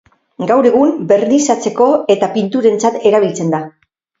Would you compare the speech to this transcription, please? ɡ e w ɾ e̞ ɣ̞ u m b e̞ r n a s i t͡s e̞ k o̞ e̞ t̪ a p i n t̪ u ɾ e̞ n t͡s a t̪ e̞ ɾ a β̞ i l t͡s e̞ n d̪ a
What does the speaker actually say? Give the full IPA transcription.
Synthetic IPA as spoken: ɡ a w ɾ e̞ ɣ̞ u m b e̞ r n i s a t͡s e̞ k o̞ e̞ t̪ a p i n t̪ u ɾ e̞ n t͡s a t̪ e̞ ɾ a β̞ i l t͡s e̞ n d̪ a